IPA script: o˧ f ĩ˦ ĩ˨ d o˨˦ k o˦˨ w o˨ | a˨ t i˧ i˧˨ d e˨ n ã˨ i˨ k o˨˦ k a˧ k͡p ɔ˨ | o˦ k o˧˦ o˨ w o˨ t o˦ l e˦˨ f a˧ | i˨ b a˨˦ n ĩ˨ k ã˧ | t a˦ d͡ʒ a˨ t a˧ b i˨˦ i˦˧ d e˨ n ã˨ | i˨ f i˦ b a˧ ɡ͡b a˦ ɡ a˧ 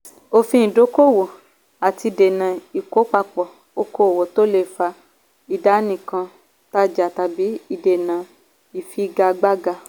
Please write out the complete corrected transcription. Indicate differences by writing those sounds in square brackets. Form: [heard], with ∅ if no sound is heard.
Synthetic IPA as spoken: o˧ f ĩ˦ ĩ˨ d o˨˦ k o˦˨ w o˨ | a˨ t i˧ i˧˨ d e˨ n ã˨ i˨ k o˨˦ [k͡p] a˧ k͡p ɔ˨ | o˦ k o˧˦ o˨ w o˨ t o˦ l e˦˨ f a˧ | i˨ [d] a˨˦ n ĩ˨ k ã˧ | t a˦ d͡ʒ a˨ t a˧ b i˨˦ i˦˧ d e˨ n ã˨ | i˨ f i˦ [ɡ] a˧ ɡ͡b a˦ ɡ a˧